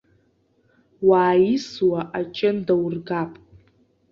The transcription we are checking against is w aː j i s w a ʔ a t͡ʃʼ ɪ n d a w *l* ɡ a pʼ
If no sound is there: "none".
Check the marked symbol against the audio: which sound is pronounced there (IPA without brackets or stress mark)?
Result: r